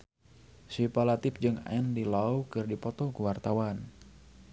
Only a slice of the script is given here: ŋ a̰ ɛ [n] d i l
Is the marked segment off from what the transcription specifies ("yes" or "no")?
no